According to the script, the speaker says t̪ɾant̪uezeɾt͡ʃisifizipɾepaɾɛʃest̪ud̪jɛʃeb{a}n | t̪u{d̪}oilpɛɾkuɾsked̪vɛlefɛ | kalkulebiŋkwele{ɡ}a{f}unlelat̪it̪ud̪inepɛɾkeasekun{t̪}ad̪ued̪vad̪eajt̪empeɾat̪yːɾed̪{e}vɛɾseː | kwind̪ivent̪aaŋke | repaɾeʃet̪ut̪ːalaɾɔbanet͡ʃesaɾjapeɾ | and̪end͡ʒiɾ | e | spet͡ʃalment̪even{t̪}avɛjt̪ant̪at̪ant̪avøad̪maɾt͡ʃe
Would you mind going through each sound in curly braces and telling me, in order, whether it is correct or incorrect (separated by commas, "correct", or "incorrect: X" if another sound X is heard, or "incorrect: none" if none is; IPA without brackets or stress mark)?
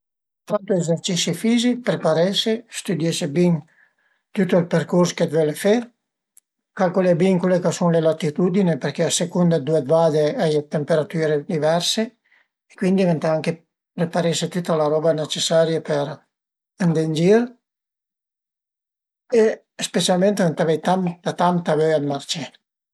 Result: incorrect: i, incorrect: t̪, incorrect: k, incorrect: s, incorrect: d̪, incorrect: i, correct